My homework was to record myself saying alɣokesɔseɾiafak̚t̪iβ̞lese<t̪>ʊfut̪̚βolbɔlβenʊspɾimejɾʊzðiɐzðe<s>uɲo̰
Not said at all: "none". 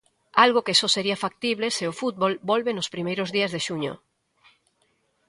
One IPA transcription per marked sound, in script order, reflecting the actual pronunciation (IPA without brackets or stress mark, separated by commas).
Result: none, ʃ